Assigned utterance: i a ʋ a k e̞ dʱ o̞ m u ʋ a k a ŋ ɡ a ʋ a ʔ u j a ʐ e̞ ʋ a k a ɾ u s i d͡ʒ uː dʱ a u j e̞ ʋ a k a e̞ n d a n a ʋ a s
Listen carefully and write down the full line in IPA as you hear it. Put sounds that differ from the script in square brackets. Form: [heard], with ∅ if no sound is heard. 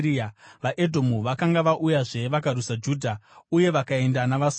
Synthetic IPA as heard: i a ʋ a [ʔ] e̞ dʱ o̞ m u ʋ a k a ŋ ɡ a ʋ a ʔ u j a ʐ e̞ ʋ a k a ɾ u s [a] d͡ʒ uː dʱ a u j e̞ ʋ a k a e̞ n d a n a ʋ a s